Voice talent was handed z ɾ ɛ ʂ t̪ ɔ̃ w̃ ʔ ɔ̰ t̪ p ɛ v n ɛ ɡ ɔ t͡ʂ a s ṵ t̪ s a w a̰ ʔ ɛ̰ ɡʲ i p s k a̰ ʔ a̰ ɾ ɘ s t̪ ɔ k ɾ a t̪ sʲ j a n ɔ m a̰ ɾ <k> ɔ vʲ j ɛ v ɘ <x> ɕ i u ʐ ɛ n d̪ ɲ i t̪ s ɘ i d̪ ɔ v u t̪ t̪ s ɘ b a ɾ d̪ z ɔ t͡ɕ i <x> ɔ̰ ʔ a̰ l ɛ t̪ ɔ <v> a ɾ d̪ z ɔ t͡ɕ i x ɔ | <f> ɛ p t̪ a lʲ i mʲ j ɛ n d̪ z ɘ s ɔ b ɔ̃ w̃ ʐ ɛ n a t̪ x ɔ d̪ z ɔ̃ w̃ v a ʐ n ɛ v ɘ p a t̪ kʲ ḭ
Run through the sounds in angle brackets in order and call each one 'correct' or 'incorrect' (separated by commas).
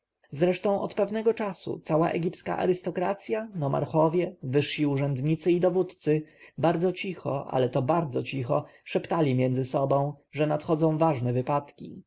incorrect, incorrect, correct, incorrect, incorrect